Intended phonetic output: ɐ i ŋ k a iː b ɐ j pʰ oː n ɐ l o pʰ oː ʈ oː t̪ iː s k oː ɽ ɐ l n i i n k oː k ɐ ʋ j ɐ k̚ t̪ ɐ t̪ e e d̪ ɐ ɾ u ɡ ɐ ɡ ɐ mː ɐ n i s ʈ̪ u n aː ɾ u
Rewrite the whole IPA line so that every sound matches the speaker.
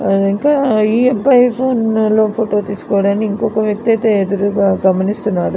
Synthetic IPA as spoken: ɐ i ŋ k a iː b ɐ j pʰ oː n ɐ l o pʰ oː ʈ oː t̪ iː s k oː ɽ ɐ n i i ŋ k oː k ɐ ʋ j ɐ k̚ t̪ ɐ t̪ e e d̪ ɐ ɾ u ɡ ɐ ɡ ɐ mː ɐ n i s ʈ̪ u n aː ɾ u